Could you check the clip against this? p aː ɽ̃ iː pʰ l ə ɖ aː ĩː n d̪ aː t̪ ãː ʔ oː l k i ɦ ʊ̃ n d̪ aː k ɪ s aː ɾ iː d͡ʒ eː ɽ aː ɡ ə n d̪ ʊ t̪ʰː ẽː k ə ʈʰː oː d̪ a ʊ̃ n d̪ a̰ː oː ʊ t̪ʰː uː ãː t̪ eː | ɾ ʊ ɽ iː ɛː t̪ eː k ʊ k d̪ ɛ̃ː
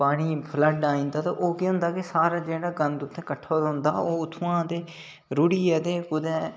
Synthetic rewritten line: p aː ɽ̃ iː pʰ l ə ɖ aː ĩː n d̪ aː t̪ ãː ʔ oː k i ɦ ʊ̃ n d̪ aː k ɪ s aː ɾ aː d͡ʒ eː ɽ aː ɡ ə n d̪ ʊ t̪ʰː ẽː k ə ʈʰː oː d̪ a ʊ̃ n d̪ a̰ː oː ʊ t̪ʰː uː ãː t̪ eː | ɾ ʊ ɽ iː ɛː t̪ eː k ʊ d̪ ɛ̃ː

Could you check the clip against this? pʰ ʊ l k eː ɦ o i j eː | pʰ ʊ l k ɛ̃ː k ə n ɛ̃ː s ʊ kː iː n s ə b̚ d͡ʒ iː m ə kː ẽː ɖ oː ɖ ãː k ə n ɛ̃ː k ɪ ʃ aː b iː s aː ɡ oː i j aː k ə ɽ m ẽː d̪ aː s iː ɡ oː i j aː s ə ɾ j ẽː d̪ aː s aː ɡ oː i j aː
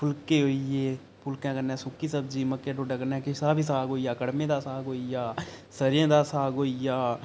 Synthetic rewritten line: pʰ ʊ l k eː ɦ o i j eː | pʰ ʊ l k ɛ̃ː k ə n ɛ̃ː s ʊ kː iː s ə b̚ d͡ʒ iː m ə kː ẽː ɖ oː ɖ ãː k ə n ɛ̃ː k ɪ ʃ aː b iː s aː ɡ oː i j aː k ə ɽ m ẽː d̪ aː s aː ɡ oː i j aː s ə ɾ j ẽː d̪ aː s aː ɡ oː i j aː

